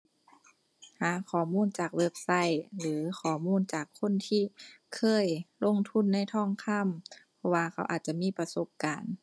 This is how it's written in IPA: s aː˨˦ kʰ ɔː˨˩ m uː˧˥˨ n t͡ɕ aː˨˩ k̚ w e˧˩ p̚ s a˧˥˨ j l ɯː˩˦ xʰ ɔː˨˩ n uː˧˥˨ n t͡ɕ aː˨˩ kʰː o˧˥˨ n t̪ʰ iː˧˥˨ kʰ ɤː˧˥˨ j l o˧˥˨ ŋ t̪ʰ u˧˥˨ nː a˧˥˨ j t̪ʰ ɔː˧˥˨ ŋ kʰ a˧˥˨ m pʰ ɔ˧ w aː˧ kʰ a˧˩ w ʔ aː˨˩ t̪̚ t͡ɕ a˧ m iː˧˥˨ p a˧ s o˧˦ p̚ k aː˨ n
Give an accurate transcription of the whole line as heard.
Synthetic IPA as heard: h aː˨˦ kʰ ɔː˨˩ m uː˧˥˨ n t͡ɕ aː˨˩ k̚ w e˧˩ p̚ s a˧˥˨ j l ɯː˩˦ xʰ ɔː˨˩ m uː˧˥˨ n t͡ɕ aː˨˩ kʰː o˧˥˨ n t̪ʰ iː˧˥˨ kʰ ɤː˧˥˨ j l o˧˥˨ ŋ t̪ʰ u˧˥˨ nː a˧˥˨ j t̪ʰ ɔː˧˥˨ ŋ kʰ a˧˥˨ m pʰ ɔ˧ w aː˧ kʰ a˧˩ w ʔ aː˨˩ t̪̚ t͡ɕ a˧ m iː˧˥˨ p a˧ s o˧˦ p̚ k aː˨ n